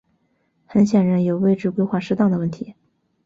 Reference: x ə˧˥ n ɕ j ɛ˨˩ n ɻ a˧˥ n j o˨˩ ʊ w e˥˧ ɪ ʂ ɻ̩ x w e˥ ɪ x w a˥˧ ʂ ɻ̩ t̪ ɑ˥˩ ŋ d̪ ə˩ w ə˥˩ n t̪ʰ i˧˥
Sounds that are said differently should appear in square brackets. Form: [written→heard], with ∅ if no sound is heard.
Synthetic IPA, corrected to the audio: x ə˧˥ n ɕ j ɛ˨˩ n ɻ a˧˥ n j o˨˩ ʊ w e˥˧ ɪ [ʂ→ʈ͡ʂ] ɻ̩ [x→k] w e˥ ɪ x w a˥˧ ʂ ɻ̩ t̪ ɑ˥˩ ŋ d̪ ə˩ w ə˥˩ n t̪ʰ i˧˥